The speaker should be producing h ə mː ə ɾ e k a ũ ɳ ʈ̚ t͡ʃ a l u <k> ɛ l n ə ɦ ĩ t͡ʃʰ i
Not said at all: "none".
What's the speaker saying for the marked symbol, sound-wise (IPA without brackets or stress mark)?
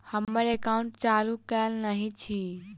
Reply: k